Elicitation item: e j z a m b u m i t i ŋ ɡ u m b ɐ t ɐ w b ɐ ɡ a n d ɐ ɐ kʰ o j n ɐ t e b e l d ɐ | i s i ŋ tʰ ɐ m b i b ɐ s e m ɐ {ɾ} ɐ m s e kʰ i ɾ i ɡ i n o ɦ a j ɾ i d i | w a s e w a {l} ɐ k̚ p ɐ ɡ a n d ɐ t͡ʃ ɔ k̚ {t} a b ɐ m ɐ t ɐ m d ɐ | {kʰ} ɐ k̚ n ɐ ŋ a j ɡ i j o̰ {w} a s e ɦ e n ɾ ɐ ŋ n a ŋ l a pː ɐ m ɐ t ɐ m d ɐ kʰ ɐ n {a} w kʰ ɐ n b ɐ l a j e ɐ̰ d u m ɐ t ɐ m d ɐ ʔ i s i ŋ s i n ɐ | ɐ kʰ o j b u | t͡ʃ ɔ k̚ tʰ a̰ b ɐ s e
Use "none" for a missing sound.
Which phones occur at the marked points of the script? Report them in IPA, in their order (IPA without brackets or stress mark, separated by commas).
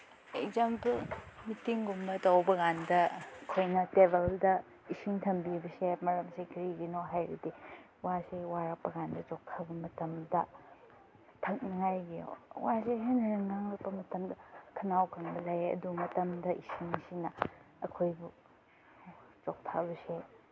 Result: ɾ, ɾ, tʰ, tʰ, w, a